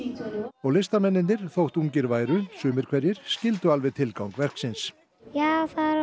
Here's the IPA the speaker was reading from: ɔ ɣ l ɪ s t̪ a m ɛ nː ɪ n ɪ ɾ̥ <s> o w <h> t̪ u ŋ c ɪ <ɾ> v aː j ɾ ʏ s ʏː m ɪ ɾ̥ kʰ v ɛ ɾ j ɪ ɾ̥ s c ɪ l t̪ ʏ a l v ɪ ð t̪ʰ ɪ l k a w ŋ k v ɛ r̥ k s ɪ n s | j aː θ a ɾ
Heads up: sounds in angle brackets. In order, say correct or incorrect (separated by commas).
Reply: incorrect, correct, correct